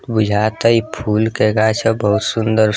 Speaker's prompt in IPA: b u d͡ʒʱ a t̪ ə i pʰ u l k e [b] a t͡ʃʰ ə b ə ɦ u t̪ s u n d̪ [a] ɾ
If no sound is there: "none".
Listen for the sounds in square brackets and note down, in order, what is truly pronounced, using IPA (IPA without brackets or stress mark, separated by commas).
ɡ, ə